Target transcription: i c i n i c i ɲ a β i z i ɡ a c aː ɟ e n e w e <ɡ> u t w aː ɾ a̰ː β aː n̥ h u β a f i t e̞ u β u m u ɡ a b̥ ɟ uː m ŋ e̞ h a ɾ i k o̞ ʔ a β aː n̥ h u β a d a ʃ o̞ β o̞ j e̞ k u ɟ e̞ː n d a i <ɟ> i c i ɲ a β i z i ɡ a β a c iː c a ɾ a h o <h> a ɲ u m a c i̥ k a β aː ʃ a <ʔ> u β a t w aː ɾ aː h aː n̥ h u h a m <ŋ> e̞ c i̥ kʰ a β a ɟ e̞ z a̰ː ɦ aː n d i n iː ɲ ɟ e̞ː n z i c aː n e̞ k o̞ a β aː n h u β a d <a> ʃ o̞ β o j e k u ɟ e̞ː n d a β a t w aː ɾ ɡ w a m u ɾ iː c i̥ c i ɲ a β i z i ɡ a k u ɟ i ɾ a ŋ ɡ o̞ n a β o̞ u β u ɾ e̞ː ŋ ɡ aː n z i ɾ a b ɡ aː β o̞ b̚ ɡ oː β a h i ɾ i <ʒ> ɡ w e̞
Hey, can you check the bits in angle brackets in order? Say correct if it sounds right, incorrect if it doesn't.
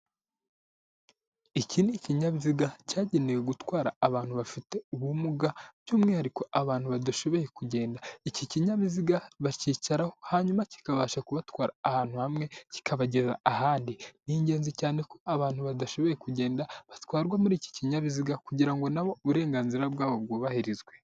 correct, incorrect, correct, incorrect, correct, correct, incorrect

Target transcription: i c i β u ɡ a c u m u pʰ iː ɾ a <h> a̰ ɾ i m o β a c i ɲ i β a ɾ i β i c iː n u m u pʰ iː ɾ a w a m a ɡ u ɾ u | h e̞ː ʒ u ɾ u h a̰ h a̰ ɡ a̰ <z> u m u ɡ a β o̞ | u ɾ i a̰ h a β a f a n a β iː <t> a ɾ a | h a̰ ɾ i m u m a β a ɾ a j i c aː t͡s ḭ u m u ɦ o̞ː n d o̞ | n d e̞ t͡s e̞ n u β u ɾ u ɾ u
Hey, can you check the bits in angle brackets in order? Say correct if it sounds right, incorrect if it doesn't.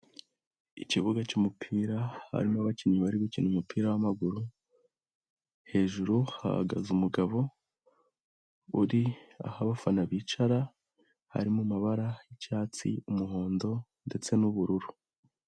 correct, correct, incorrect

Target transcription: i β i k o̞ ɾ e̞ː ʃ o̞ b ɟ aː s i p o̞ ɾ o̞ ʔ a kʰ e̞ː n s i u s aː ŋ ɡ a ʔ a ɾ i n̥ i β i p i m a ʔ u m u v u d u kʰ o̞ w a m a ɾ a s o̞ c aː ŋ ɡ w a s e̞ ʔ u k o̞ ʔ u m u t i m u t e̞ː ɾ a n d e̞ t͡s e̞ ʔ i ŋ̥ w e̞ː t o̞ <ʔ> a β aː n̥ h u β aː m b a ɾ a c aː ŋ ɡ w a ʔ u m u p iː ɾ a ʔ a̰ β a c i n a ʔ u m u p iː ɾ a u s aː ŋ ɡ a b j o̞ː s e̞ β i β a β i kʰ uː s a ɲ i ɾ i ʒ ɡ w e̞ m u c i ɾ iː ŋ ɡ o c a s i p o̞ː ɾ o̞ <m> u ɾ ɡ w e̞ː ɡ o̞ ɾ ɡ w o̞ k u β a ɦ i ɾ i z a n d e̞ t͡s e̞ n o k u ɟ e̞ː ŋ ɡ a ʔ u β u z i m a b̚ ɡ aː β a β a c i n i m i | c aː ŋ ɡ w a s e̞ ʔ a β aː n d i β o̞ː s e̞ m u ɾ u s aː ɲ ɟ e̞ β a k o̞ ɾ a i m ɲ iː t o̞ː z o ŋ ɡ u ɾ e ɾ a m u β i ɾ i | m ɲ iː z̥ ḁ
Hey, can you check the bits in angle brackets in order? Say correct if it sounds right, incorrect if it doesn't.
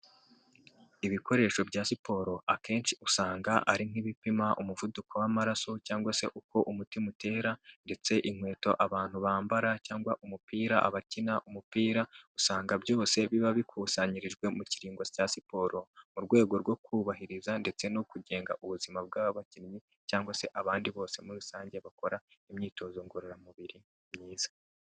correct, correct

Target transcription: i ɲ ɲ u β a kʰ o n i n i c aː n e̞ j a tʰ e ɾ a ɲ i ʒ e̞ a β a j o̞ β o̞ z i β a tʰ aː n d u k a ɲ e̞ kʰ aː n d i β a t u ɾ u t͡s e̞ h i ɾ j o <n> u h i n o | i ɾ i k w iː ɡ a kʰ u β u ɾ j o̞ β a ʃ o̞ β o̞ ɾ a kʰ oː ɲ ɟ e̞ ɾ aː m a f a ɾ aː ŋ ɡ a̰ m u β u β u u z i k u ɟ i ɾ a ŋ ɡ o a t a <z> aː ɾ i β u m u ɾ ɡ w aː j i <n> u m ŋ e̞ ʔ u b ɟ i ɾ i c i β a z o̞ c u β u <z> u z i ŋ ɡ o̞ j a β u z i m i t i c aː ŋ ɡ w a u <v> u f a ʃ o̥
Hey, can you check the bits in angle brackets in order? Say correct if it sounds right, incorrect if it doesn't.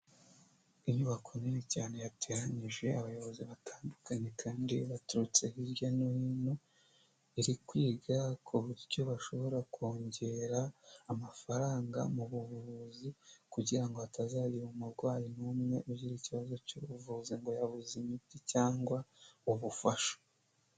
correct, correct, correct, incorrect, incorrect

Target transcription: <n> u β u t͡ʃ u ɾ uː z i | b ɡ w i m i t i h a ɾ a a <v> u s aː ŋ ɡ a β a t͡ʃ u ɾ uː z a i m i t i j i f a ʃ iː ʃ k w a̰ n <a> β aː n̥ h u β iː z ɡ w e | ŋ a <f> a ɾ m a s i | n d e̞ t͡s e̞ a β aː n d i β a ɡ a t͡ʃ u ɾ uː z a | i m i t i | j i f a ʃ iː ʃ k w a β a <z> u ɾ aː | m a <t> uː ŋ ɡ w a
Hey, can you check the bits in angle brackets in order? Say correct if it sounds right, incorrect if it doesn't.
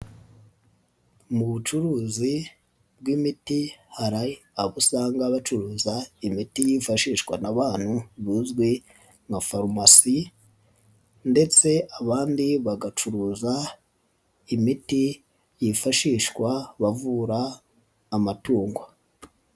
incorrect, incorrect, correct, correct, incorrect, correct

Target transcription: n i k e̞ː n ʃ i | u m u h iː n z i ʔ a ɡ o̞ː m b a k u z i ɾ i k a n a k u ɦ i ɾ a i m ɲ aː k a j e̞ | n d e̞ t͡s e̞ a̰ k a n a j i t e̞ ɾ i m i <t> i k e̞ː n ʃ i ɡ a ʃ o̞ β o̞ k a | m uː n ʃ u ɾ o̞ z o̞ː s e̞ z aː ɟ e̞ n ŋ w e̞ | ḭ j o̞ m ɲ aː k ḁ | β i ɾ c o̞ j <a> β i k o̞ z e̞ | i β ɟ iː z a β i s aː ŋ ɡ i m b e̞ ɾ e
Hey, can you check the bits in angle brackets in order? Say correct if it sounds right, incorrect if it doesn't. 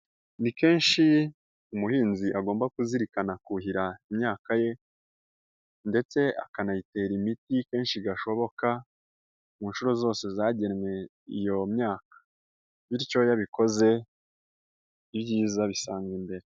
correct, correct

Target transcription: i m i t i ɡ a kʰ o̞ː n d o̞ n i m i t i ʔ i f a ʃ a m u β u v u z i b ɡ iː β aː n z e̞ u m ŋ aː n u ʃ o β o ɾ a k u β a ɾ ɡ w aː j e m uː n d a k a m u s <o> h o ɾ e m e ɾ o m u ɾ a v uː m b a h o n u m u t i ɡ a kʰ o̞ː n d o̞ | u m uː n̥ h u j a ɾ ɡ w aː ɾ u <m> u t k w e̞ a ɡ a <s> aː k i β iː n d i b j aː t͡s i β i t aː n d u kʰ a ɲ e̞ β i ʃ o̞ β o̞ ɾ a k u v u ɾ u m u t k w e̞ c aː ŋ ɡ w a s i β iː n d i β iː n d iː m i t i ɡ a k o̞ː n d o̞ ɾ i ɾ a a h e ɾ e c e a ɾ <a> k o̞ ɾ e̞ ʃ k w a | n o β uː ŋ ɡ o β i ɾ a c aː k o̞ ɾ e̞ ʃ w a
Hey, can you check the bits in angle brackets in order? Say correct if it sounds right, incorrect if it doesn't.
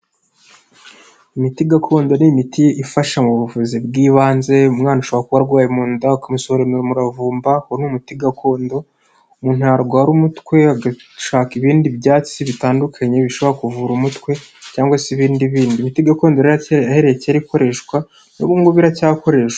correct, correct, incorrect, incorrect

